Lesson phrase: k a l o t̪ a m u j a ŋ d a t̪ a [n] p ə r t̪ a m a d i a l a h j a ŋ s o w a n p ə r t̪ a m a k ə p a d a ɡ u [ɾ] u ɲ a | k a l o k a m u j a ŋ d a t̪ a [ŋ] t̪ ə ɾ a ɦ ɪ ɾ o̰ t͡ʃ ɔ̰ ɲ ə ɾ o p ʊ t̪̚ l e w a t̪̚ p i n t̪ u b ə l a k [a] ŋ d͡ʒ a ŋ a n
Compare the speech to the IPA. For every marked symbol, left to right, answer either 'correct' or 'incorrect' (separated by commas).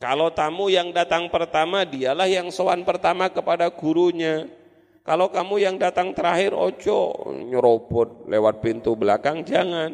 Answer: incorrect, correct, correct, correct